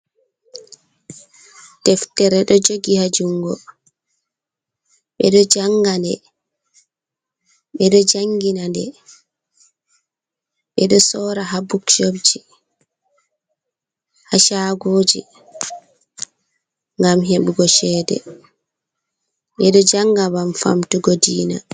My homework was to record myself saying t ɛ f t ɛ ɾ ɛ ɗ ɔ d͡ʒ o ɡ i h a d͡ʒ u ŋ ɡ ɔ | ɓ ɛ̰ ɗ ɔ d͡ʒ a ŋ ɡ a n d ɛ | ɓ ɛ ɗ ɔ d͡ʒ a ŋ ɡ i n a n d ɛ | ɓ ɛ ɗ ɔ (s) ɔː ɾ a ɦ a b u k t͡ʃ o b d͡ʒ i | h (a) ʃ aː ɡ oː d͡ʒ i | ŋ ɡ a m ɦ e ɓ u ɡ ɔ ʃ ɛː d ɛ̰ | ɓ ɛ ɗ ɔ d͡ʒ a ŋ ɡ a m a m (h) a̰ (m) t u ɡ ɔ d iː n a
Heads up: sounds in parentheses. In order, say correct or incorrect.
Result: correct, correct, incorrect: f, correct

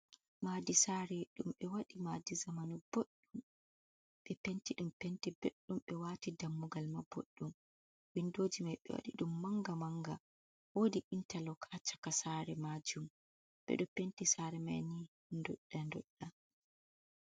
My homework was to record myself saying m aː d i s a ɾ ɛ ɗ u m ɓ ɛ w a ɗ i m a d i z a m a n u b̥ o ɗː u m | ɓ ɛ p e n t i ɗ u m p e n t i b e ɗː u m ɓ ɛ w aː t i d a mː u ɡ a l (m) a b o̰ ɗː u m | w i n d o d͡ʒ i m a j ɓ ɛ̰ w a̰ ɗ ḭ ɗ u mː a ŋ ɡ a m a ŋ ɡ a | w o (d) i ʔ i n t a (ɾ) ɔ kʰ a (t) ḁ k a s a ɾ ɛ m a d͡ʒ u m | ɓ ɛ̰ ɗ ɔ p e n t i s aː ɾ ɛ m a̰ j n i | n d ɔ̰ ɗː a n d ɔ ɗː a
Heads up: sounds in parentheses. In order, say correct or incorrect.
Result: correct, correct, incorrect: l, incorrect: t͡ʃ

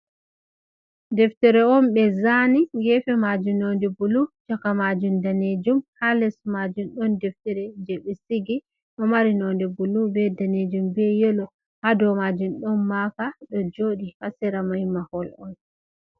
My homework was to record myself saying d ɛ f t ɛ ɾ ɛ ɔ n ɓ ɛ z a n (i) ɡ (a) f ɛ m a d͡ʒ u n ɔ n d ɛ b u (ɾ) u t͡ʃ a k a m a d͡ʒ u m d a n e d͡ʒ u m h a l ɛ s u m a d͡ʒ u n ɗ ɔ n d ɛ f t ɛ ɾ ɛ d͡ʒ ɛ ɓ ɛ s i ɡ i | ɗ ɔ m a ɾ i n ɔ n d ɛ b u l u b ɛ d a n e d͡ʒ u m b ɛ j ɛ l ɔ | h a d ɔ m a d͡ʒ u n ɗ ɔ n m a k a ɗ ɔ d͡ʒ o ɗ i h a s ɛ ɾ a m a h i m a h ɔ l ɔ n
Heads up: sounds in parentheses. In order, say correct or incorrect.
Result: correct, incorrect: ɛ, incorrect: l

